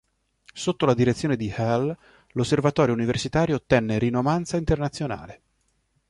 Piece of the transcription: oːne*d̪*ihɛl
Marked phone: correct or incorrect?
correct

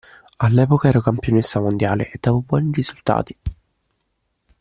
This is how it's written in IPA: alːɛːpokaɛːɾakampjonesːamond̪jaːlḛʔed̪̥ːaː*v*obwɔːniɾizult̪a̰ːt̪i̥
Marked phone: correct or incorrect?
correct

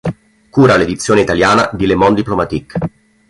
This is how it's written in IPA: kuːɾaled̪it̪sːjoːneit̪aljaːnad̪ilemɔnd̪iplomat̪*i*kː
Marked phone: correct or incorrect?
correct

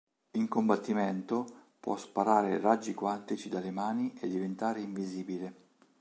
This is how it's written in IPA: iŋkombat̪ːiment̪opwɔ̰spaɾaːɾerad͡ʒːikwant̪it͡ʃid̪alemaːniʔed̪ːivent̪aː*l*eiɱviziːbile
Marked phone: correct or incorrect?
incorrect: ɾ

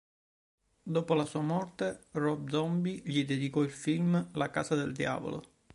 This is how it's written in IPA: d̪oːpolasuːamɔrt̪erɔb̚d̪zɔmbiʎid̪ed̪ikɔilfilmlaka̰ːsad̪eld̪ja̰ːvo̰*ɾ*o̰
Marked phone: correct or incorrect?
incorrect: l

